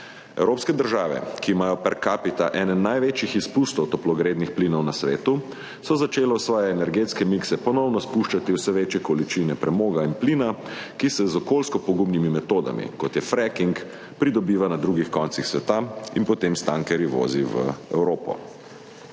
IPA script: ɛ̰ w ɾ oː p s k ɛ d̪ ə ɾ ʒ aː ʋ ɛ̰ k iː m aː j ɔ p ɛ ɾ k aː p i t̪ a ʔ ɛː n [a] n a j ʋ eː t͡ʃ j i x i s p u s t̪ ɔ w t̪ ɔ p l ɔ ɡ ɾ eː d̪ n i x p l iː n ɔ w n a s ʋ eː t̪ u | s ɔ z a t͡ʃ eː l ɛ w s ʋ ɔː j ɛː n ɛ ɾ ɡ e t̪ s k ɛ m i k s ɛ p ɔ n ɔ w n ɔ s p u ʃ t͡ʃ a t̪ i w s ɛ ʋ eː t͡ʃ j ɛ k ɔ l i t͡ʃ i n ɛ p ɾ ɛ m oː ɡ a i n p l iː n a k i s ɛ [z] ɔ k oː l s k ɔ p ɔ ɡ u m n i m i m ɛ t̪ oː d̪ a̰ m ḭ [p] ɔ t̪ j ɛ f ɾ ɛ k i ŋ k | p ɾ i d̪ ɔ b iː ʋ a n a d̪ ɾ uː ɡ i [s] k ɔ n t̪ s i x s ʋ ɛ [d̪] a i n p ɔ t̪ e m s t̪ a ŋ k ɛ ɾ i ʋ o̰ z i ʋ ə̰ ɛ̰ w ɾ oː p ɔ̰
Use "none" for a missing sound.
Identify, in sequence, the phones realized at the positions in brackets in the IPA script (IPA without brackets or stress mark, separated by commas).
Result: ɛ, z, k, x, t̪